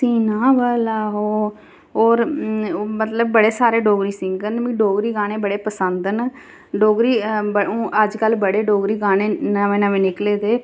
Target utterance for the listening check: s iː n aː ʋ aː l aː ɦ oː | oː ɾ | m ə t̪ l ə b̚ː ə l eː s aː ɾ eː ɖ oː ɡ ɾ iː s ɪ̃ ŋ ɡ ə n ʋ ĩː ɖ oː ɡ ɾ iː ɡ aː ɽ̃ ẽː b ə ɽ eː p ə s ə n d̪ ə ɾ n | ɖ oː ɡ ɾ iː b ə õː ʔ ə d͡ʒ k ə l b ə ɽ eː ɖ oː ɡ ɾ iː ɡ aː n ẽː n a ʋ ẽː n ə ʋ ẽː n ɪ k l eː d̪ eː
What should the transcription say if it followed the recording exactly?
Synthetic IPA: s iː n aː ʋ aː l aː ɦ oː | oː ɾ | m ə t̪ l ə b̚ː ə ɽ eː s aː ɾ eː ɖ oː ɡ ɾ iː s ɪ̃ ŋ ɡ ə n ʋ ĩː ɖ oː ɡ ɾ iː ɡ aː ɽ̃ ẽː b ə ɽ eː p ə s ə n d̪ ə n | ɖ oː ɡ ɾ iː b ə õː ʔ ə d͡ʒ k ə l b ə ɽ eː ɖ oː ɡ ɾ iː ɡ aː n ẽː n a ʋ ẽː n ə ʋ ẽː n ɪ k l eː d̪ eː